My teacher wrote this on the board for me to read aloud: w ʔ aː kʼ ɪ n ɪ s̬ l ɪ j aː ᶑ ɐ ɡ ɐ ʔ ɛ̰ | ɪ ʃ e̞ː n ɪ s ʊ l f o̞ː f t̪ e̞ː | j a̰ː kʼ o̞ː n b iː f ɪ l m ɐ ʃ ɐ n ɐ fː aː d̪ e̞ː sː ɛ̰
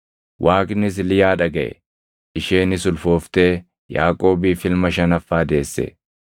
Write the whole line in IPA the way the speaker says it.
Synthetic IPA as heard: w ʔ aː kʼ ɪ n ɪ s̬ l ɪ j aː ᶑ ɐ ɡ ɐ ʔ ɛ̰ | ɪ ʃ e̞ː n ɪ s ʊ l f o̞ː f t̪ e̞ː | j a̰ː kʼ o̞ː b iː f ɪ l m ɐ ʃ ɐ n ɐ fː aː d̪ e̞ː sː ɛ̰

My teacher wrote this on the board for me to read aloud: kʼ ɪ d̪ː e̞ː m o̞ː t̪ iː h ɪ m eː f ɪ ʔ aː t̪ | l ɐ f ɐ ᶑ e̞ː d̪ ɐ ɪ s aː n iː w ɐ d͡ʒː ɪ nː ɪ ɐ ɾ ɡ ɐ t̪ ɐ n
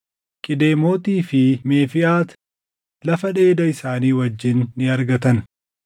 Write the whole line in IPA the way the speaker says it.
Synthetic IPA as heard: kʼ ɪ d̪ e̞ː m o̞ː t̪ iː f ɪ m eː f ɪ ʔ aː t̪ | l ɐ f ɐ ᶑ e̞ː d̪ ɐ ɪ s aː n iː w ɐ d͡ʒː ɪ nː ɪ ɐ ɾ ɡ ɐ t̪ ɐ n

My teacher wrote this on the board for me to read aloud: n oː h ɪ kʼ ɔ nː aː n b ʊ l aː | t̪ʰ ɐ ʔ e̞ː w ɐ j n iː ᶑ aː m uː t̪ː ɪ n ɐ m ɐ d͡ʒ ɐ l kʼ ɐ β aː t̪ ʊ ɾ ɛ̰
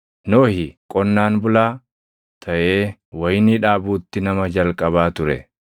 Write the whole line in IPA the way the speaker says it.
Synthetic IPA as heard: n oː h ɪ kʼ ɔ nː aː n b ʊ l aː | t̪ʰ ɐ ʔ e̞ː w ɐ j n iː ᶑ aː b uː t̪ː ɪ n ɐ m ɐ d͡ʒ ɐ l kʼ ɐ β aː t̪ ʊ ɾ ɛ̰

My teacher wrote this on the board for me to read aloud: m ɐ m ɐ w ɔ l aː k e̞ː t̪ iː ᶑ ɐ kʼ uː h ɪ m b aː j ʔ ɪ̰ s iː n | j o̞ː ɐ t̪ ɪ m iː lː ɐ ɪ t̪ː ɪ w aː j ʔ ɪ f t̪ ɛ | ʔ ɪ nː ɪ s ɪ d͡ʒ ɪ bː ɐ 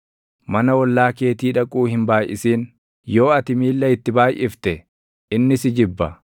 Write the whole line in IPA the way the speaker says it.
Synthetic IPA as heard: m ɐ n ɐ w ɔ lː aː k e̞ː t̪ iː ᶑ ɐ kʼ uː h ɪ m b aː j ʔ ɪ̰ s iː n | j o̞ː ɐ t̪ ɪ m iː lː ɐ ɪ t̪ː ɪ b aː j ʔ ɪ f t̪ ɛ | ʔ ɪ nː ɪ s ɪ d͡ʒ ɪ bː ɐ

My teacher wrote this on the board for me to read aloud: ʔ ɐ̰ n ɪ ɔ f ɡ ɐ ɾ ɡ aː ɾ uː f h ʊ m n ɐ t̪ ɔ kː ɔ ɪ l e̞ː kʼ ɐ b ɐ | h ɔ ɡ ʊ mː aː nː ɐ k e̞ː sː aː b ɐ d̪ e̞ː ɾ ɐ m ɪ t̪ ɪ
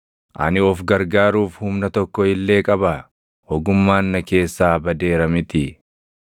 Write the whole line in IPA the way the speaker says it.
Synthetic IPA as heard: ʔ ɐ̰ n ɪ ɔ f ɡ ɐ ɾ ɡ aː ɾ uː f h ʊ m n ɐ t̪ ɔ kː ɔ ɪ lː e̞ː kʼ ɐ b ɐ | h ɔ ɡ ʊ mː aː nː ɐ k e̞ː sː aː b ɐ d̪ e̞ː ɾ ɐ m ɪ t̪ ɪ

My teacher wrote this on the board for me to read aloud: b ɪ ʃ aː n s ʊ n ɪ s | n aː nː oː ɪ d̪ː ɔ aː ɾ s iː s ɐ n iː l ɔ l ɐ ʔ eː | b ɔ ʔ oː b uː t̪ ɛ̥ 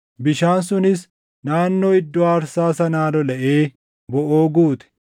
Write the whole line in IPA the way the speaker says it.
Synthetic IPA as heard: b ɪ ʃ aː n s ʊ n ɪ s | n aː nː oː ɪ d̪ː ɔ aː ɾ s aː s ɐ n aː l ɔ l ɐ ʔ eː | b ɔ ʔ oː ɡ uː t̪ ɛ̥

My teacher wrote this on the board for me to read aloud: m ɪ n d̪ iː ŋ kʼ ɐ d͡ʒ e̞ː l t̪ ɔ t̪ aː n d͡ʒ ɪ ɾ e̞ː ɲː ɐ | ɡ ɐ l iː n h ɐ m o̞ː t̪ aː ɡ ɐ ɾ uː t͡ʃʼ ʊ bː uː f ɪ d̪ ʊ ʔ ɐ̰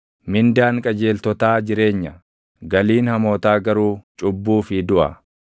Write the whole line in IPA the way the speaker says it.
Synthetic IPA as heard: m ɪ n d̪ aː ŋ kʼ ɐ d͡ʒ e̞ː l t̪ ɔ t̪ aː d͡ʒ ɪ ɾ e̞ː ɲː ɐ | ɡ ɐ l iː n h ɐ m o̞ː t̪ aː ɡ ɐ ɾ uː t͡ʃʼ ʊ bː uː f ɪ d̪ ʊ ʔ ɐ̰

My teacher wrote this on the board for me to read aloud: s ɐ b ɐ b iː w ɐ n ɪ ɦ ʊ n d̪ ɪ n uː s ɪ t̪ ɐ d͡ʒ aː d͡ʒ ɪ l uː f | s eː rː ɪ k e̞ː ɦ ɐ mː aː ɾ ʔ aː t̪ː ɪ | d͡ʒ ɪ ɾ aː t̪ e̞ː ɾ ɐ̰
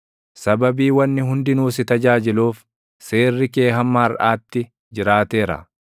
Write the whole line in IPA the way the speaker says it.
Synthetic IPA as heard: s ɐ b ɐ b iː w ɐ nː ɪ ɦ ʊ n d̪ ɪ n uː s ɪ t̪ ɐ d͡ʒ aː d͡ʒ ɪ l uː f | s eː rː ɪ k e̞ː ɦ ɐ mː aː ɾ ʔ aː t̪ː ɪ | d͡ʒ ɪ ɾ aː t̪ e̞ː ɾ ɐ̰

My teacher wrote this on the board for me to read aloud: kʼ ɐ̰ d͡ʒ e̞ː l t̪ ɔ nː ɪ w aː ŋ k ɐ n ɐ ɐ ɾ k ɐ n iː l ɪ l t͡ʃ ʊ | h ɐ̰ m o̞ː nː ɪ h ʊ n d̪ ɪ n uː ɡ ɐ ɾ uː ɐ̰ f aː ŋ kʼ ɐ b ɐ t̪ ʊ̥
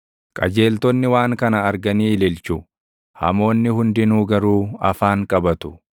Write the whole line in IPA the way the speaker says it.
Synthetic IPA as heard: kʼ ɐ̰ d͡ʒ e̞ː l t̪ ɔ nː ɪ w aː ŋ k ɐ n ɐ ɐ ɾ ɡ ɐ n iː l ɪ l t͡ʃ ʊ | h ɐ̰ m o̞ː nː ɪ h ʊ n d̪ ɪ n uː ɡ ɐ ɾ uː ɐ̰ f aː ŋ kʼ ɐ b ɐ t̪ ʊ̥

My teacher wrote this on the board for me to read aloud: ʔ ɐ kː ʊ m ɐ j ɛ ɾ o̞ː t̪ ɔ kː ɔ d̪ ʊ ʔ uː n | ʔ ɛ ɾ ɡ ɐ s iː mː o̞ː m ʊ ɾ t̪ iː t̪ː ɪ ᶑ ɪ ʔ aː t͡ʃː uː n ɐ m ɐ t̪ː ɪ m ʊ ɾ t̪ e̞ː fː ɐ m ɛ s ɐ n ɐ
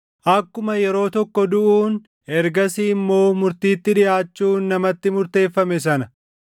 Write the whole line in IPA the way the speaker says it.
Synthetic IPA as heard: ʔ ɐ kː ʊ m ɐ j ɛ ɾ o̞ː t̪ ɔ kː ɔ d̪ ʊ ʔ uː n | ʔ ɛ ɾ ɡ ɐ s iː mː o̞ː m ʊ ɾ t̪ iː t̪ː ɪ ᶑ ɪ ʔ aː t͡ʃː uː nː ɐ m ɐ t̪ː ɪ m ʊ ɾ t̪ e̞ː fː ɐ m ɛ s ɐ n ɐ

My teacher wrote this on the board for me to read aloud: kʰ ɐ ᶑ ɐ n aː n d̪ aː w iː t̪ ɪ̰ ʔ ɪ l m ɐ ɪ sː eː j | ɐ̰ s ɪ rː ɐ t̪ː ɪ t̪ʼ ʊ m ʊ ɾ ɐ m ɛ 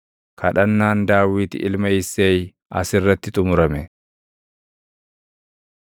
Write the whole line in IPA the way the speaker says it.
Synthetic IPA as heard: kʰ ɐ ᶑ ɐ nː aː n d̪ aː w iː t̪ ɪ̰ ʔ ɪ l m ɐ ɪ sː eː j | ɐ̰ s ɪ rː ɐ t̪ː ɪ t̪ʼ ʊ m ʊ ɾ ɐ m ɛ

